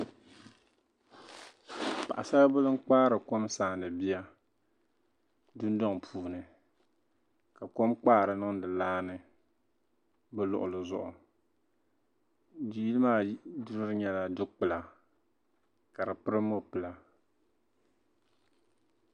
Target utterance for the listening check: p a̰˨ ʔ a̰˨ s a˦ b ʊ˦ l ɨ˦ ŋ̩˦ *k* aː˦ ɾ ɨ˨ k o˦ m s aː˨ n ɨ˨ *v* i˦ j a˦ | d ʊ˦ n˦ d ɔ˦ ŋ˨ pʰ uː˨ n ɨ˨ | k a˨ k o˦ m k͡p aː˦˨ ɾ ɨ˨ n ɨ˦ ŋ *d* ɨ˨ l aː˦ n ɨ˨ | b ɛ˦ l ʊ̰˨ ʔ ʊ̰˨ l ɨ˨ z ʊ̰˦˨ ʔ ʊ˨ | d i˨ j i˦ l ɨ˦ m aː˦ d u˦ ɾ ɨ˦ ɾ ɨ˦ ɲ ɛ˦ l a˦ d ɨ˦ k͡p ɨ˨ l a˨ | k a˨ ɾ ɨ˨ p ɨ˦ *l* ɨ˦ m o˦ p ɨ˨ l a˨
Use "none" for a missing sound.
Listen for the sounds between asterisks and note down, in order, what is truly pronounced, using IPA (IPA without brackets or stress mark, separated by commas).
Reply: k͡p, b, d, ɾ